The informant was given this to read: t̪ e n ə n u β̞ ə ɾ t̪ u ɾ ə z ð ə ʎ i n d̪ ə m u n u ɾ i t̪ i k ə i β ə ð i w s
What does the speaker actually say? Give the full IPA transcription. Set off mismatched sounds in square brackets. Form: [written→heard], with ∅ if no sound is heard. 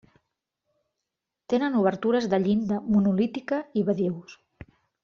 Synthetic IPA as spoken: t̪ e n ə n u β̞ ə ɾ t̪ u ɾ ə z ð ə ʎ i n d̪ ə m u n u [ɾ→l] i t̪ i k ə i β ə ð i w s